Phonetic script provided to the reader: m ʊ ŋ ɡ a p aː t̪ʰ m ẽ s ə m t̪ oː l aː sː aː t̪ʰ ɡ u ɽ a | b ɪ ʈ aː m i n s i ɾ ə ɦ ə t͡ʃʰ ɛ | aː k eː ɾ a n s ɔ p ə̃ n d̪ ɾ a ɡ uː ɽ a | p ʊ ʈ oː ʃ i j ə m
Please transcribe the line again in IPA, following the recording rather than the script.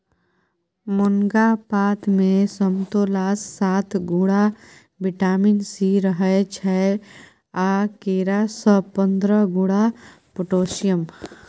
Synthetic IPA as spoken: m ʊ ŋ ɡ a p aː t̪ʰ m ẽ s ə m t̪ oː l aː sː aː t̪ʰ ɡ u ɽ a | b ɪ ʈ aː m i n s i ɾ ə ɦ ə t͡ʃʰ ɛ | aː k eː ɾ a s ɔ p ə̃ n d̪ ɾ ə ɡ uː ɽ a | p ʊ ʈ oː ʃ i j ə m